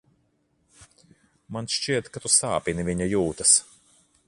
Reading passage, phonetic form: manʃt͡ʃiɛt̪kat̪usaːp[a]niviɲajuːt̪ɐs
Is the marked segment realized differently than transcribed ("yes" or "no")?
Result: yes